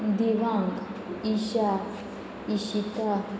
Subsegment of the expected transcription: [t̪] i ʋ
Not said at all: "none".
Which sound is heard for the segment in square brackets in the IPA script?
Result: d̪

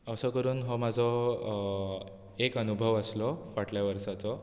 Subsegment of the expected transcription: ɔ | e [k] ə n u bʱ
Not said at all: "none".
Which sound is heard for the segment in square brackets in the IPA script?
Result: k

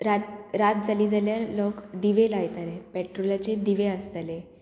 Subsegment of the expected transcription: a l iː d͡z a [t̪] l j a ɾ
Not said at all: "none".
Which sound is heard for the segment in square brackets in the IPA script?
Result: none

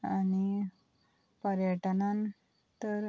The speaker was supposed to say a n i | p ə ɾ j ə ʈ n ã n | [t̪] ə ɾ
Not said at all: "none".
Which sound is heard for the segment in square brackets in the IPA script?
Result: t̪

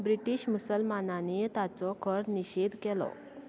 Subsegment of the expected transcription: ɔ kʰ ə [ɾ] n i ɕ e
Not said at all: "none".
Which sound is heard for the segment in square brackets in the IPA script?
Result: ɾ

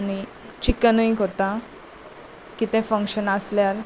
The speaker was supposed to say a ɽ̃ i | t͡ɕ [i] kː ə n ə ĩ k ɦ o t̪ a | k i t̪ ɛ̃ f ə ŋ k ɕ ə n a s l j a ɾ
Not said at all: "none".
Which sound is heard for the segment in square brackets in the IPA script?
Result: i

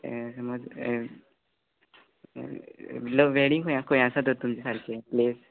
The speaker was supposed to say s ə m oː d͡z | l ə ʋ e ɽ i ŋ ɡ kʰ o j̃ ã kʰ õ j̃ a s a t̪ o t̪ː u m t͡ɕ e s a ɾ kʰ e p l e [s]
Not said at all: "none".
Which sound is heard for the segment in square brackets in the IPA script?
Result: s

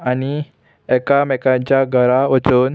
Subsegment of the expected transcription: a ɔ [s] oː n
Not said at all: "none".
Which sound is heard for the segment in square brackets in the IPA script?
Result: t͡s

